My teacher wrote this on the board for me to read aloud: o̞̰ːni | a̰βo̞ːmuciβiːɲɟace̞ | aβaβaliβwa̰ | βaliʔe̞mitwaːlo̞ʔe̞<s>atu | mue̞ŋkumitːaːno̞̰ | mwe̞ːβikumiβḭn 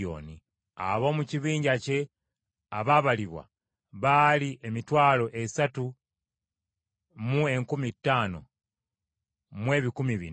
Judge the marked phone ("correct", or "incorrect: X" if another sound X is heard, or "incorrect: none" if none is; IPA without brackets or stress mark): correct